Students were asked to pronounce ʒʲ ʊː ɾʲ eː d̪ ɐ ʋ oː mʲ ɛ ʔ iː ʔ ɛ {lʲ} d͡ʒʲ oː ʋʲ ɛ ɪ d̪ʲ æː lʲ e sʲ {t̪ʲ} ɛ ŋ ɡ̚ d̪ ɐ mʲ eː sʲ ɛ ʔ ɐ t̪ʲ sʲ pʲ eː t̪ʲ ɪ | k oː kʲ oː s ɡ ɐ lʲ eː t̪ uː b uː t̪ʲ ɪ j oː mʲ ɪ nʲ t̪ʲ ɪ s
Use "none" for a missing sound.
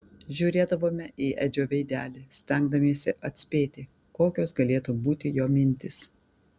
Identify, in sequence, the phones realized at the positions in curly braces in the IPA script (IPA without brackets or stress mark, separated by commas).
none, t̪ʲ